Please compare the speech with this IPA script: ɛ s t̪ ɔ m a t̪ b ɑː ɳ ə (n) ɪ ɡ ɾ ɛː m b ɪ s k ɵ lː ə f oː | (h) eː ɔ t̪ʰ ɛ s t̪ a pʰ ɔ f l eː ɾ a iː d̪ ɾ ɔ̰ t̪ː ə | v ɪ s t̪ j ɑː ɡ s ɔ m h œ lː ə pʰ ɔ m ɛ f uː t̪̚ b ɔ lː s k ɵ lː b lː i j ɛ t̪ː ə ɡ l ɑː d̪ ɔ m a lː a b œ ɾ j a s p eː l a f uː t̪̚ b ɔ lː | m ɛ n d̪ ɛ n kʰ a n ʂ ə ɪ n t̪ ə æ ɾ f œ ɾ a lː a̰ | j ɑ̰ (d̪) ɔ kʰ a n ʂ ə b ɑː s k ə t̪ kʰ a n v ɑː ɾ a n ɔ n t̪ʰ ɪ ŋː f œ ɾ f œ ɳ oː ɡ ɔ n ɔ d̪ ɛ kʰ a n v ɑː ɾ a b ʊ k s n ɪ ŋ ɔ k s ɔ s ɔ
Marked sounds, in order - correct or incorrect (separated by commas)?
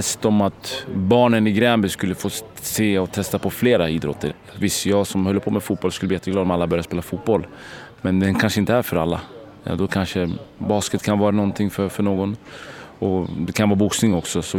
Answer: correct, incorrect, correct